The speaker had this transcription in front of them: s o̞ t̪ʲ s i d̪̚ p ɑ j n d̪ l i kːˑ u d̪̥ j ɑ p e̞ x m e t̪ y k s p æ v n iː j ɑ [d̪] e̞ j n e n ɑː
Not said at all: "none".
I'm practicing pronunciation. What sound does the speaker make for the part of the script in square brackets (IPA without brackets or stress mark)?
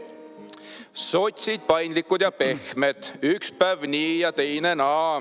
t̪